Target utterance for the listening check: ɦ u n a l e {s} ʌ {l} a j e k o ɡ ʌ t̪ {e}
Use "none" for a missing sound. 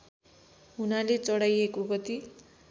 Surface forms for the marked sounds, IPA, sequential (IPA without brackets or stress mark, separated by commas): t͡s, ɽ, i